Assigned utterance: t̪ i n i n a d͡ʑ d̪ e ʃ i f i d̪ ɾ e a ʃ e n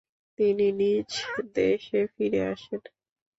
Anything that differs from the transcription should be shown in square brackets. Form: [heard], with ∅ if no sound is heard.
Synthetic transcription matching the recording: t̪ i n i n [i] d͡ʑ d̪ e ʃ [e] f i [∅] ɾ e a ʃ e n